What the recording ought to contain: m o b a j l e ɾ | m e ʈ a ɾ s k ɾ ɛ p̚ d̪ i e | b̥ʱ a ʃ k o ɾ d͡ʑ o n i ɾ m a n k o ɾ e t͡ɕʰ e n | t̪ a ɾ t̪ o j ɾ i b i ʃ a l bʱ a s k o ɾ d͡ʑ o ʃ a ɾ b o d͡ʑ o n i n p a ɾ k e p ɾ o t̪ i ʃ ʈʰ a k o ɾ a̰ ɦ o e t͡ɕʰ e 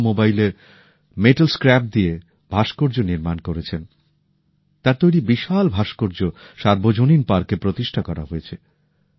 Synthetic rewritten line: m o b a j l e ɾ | m e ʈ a l s k ɾ ɛ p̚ d̪ i e | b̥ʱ a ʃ k o ɾ d͡ʑ o n i ɾ m a n k o ɾ e t͡ɕʰ e n | t̪ a ɾ t̪ o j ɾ i b i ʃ a l bʱ a ʃ k o ɾ d͡ʑ o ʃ a ɾ b o d͡ʑ o n i n p a ɾ k e p ɾ o t̪ i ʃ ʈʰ a k ɔ ɾ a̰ ɦ o e t͡ɕʰ e

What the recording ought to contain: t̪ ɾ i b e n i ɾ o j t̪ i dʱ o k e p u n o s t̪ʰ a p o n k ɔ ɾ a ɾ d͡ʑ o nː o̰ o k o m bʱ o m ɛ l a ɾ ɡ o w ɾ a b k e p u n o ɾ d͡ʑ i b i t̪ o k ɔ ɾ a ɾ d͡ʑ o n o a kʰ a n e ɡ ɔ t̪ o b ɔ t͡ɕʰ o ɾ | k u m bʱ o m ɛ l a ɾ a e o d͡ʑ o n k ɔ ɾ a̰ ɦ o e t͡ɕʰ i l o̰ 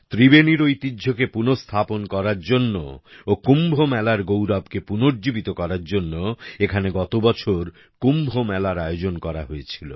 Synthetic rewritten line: t̪ ɾ i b e n i ɾ o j t̪ i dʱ o k e p u n o s t̪ʰ a p o n k ɔ ɾ a ɾ d͡ʑ o nː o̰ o k u m bʱ o m ɛ l a ɾ ɡ o w ɾ a b k e p u n o ɾ d͡ʑ i b i t̪ o k ɔ ɾ a ɾ d͡ʑ o nː o e kʰ a n e ɡ ɔ t̪ o b ɔ t͡ɕʰ o ɾ | k u m bʱ o m ɛ l a ɾ a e o d͡ʑ o n k ɔ ɾ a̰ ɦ o e t͡ɕʰ i l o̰

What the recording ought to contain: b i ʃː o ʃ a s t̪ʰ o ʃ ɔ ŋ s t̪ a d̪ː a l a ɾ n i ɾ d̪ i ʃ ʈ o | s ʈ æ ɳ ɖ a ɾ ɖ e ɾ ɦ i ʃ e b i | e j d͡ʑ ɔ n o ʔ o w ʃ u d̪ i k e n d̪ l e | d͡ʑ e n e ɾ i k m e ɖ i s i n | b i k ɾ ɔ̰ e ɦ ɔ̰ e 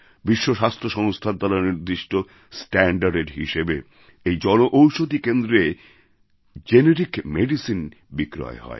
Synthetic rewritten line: b i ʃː o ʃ a s t̪ʰ o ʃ ɔ ŋ s t̪ʰ a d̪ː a l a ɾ n i ɾ d̪ i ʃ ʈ o | s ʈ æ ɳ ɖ a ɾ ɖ e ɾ ɦ i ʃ e b e | e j d͡ʑ ɔ n o ʔ o w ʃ o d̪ i k e n d̪ ɾ e | d͡ʑ e n e ɾ i k m e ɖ i s i n | b i k ɾ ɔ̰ e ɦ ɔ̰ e

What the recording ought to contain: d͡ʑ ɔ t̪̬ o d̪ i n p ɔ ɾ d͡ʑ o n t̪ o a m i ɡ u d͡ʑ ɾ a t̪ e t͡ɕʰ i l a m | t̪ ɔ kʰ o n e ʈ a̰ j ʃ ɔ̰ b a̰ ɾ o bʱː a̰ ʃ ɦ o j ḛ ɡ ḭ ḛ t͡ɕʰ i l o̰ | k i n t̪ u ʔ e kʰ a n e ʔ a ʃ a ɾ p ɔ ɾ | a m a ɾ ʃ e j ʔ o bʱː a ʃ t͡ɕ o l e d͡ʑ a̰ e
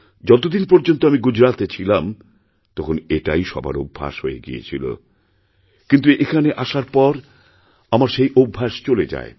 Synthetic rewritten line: d͡ʑ ɔ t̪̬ o d̪ i n p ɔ ɾ d͡ʑ o n t̪ o a m i ɡ u d͡ʑ ɾ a t̪ e t͡ɕʰ i l a m | t̪ ɔ kʰ o n e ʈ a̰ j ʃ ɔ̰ b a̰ ɾ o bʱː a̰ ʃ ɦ o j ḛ ɡ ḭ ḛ t͡ɕʰ i l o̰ | k i n t̪ u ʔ e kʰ a n e ʔ a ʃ a ɾ p ɔ ɾ | a m a ɾ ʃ e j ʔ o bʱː a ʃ t͡ɕ o l e d͡ʑ a̰ e

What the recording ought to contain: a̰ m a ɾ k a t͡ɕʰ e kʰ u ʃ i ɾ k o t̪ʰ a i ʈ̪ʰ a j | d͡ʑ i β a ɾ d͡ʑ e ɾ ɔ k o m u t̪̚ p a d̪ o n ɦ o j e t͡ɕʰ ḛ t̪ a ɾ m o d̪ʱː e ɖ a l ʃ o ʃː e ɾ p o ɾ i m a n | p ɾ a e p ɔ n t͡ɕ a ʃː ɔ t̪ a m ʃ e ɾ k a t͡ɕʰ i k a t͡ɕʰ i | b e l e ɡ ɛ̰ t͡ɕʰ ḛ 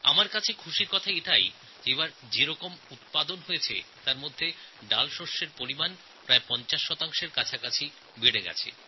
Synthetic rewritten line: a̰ m a ɾ k a t͡ɕʰ e kʰ u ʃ i ɾ k ɔ t̪ʰ a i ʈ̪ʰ a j | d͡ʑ e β a ɾ d͡ʑ e ɾ ɔ k o m u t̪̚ p a d̪ o n ɦ o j e t͡ɕʰ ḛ t̪ a ɾ m o d̪ʱː e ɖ a l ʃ o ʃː e ɾ p o ɾ i m a n | p ɾ a e p ɔ n t͡ɕ a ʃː ɔ t̪ a ŋ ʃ e ɾ k a t͡ɕʰ a k a t͡ɕʰ i | b e ɽ e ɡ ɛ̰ t͡ɕʰ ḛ

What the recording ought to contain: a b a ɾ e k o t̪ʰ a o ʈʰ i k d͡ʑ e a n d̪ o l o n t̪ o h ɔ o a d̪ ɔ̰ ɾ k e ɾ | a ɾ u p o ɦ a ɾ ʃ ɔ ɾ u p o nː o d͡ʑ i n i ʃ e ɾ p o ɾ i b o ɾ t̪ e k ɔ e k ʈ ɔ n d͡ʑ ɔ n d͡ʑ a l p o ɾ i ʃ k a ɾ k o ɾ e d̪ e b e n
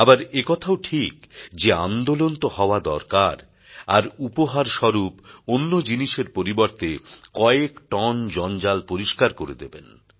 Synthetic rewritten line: a b a ɾ e k ɔ t̪ʰ a o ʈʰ i k d͡ʑ e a n d̪ o l o n t̪ o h ɔ o a d̪ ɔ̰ ɾ k a ɾ | a ɾ u p o ɦ a ɾ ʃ ɔ ɾ u p o nː o d͡ʑ i n i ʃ e ɾ p o ɾ i b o ɾ t̪ e k ɔ e k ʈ ɔ n d͡ʑ ɔ n d͡ʑ a l p o ɾ i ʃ k a ɾ k o ɾ e d̪ e b e n

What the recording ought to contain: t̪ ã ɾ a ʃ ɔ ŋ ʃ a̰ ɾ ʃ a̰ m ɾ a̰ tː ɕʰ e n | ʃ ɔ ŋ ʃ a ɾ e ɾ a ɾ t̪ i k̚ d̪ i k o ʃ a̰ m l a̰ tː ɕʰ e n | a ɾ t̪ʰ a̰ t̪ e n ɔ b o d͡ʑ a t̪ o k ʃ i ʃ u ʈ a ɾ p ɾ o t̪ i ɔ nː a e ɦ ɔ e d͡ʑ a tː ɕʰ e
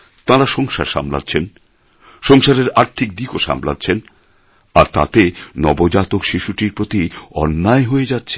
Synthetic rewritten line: t̪ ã ɾ a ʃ ɔ ŋ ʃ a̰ ɾ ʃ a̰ m l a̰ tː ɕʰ e n | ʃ ɔ ŋ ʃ a ɾ e ɾ a ɾ t̪ʰ i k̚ d̪ i k o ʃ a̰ m l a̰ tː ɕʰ e n | a ɾ t̪ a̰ t̪ e n ɔ b o d͡ʑ a t̪ o k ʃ i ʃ u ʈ i ɾ p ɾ o t̪ i ɔ nː a e ɦ o e d͡ʑ a tː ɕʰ e

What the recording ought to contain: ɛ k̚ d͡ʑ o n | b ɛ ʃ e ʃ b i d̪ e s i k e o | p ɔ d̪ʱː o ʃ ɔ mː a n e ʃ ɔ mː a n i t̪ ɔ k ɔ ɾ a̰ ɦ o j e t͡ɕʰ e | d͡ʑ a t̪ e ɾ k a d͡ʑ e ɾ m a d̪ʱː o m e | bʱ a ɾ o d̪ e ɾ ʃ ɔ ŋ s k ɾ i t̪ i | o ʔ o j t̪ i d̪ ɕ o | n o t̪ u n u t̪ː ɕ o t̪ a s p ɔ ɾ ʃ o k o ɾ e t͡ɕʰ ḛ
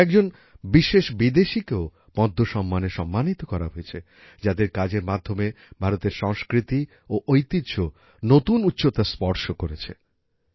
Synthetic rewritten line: ɛ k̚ d͡ʑ o n | b i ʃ e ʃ b i d̪ e ʃ i k e o | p ɔ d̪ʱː o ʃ ɔ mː a n e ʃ ɔ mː a n i t̪ o k ɔ ɾ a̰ ɦ o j e t͡ɕʰ e | d͡ʑ a d̪ e ɾ k a d͡ʑ e ɾ m a d̪ʱː o m e | bʱ a ɾ o t̪ e ɾ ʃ ɔ ŋ s k ɾ i t̪ i | o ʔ o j t̪ i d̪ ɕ o | n o t̪ u n u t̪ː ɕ o t̪ a s p ɔ ɾ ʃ o k o ɾ e t͡ɕʰ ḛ

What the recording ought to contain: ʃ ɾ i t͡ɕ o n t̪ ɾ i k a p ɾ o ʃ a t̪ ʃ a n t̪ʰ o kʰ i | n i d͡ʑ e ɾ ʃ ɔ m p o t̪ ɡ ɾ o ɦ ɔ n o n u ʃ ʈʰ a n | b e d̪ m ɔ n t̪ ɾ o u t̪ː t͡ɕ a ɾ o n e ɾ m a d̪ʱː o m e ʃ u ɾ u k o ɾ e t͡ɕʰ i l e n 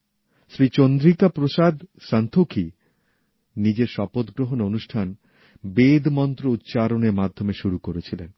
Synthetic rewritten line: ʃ ɾ i t͡ɕ o n d̪ ɾ i k a p ɾ o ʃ a d̪ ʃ a n t̪ʰ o kʰ i | n i d͡ʑ e ɾ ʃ ɔ p o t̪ ɡ ɾ o ɦ o n o n u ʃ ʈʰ a n | b e d̪ m ɔ n t̪ ɾ o u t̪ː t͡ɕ a ɾ o n e ɾ m a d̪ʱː o m e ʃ u ɾ u k o ɾ e t͡ɕʰ i l e n

